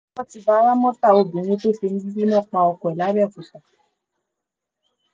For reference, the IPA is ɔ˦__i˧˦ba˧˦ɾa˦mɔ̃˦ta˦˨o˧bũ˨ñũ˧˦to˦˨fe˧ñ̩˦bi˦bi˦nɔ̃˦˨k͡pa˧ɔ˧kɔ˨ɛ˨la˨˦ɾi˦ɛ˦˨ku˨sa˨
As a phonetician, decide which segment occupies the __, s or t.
t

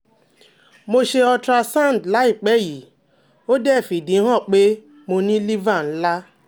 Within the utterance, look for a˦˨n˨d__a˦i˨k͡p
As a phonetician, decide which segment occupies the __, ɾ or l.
l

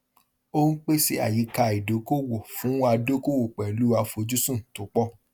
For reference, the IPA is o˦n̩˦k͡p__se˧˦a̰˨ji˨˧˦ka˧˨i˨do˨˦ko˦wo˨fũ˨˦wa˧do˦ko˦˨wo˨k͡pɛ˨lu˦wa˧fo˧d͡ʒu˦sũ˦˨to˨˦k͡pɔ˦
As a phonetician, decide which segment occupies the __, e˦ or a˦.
e˦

